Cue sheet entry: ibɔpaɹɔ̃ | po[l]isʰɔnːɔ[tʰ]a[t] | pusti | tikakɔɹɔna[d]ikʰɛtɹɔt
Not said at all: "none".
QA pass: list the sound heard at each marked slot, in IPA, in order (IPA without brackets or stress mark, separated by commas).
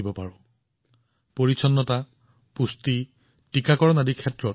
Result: ɹ, t, none, d